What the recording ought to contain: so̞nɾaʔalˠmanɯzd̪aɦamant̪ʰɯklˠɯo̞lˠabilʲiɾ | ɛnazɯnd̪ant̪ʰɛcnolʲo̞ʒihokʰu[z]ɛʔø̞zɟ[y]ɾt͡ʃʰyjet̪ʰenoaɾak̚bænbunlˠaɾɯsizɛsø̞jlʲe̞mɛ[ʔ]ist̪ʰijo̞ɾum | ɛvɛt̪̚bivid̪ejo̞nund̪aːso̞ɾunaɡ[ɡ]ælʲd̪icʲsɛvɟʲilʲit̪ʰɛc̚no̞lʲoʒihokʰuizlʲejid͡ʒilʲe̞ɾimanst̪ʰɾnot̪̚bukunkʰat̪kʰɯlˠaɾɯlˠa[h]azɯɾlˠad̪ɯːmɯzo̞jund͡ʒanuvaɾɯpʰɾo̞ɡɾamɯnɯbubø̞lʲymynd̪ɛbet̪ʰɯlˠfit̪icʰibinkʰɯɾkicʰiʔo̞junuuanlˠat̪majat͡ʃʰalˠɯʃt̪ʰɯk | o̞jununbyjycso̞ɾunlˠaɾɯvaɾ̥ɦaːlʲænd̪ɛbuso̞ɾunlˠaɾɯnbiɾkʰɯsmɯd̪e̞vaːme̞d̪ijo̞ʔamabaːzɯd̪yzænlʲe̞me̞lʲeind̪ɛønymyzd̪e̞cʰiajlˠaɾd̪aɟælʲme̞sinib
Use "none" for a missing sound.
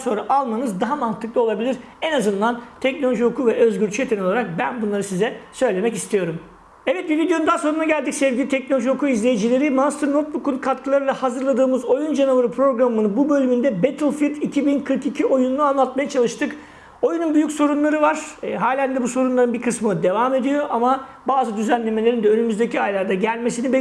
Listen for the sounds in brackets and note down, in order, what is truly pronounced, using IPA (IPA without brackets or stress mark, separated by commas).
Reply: v, y, c, ɟ, h